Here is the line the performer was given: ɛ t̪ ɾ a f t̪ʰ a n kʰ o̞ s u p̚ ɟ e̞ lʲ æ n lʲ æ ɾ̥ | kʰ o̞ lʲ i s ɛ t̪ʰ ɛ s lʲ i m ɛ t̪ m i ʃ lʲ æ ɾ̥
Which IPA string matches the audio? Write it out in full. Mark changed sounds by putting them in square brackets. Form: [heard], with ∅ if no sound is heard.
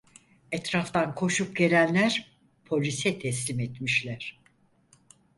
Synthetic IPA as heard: ɛ t̪ ɾ a f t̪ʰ a n kʰ o̞ [ʃ] u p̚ ɟ e̞ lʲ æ n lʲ æ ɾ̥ | [pʰ] o̞ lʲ i s ɛ t̪ʰ ɛ s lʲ i m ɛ t̪ m i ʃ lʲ æ ɾ̥